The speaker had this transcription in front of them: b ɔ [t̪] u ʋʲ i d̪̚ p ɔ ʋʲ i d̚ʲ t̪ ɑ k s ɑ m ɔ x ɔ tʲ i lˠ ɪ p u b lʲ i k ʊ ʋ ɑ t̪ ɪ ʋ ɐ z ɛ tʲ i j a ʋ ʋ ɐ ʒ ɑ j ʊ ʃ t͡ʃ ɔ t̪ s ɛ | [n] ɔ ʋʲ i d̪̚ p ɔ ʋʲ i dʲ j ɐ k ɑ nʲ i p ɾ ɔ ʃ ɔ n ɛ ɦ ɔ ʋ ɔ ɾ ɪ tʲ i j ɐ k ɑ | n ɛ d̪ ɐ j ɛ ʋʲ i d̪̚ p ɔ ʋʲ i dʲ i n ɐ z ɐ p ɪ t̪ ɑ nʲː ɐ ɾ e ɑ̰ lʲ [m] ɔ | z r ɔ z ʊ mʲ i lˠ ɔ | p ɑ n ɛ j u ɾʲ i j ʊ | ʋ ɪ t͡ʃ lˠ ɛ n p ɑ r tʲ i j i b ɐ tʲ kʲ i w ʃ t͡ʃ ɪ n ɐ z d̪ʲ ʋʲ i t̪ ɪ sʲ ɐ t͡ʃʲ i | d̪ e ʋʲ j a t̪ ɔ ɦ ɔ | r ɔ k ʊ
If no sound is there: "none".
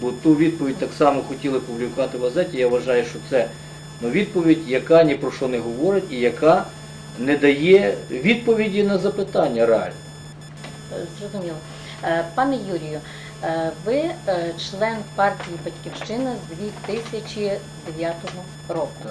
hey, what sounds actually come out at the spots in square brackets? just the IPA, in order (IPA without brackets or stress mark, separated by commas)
t̪, n, n